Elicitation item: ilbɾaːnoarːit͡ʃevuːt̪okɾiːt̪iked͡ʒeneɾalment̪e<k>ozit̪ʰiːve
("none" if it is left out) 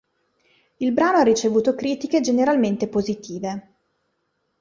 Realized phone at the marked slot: p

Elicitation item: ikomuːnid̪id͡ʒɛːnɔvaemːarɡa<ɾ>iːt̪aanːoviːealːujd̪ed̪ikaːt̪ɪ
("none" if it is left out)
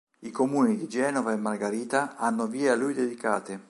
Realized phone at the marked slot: ɾ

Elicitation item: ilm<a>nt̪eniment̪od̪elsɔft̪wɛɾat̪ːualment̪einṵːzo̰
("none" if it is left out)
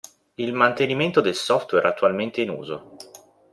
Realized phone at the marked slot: a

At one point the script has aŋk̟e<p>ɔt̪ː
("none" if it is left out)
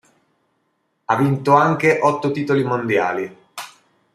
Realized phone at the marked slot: ʔ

